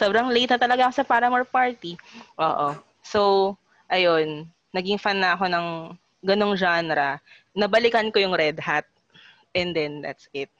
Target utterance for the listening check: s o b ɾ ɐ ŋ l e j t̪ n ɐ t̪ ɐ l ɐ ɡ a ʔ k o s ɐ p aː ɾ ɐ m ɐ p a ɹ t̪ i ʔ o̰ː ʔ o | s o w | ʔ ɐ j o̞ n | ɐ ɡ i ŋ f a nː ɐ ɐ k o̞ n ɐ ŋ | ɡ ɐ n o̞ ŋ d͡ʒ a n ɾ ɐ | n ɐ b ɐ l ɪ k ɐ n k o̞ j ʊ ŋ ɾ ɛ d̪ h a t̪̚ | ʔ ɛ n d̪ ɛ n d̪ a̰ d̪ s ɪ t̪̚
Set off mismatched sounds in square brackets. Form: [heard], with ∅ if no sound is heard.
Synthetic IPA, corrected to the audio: s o b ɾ ɐ ŋ l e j t̪ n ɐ t̪ ɐ l ɐ ɡ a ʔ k o s ɐ p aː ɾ ɐ m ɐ p a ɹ t̪ i ʔ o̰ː ʔ o | s o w | ʔ ɐ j o̞ [nː] | ɐ ɡ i ŋ f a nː ɐ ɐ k o̞ n ɐ ŋ | ɡ ɐ n o̞ ŋ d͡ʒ a n ɾ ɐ | n ɐ b ɐ l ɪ k ɐ n k o̞ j ʊ ŋ ɾ ɛ d̪ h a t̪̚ | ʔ ɛ n d̪ ɛ n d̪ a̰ [t̪] s ɪ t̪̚